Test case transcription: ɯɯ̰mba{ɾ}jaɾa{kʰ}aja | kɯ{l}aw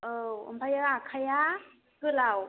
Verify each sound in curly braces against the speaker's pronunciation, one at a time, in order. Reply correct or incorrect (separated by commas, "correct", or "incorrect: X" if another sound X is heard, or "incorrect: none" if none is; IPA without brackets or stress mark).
incorrect: none, correct, correct